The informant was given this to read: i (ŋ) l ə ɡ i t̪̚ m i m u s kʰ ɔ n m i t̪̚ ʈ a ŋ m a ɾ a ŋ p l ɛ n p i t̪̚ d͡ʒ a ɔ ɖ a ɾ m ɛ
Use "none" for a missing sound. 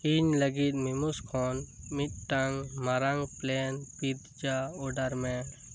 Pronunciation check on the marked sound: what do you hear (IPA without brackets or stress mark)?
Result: ɲ